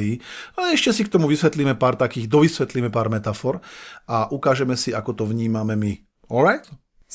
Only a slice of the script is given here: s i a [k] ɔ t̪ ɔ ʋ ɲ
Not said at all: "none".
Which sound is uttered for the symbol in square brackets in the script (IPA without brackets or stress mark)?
k